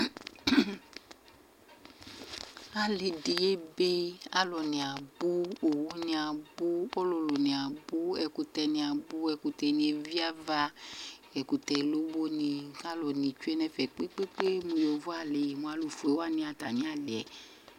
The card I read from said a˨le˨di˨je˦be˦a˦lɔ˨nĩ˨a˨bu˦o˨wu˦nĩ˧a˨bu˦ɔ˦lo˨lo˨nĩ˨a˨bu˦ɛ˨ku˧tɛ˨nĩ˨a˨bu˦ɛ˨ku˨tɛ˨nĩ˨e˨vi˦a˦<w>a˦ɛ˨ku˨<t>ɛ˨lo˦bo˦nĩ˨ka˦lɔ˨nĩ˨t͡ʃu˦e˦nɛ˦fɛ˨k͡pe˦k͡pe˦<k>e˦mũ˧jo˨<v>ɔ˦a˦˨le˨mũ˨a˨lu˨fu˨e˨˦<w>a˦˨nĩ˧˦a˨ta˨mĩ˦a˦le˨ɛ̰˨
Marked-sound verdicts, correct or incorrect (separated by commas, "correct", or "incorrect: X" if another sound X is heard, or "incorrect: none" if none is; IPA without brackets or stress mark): incorrect: v, correct, incorrect: k͡p, correct, correct